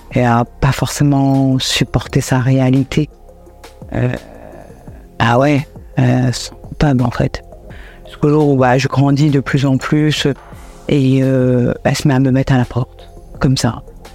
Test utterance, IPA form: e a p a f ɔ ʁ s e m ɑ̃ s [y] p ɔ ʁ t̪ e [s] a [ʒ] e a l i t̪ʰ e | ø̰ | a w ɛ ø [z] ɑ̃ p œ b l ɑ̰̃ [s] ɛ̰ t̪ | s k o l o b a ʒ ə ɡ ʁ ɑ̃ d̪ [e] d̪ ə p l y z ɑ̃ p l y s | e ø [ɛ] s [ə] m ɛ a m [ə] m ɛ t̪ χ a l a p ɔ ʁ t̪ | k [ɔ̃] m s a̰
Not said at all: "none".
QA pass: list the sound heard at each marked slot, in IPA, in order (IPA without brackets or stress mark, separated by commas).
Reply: y, s, ʁ, s, f, i, ɛ, ə, ə, ɔ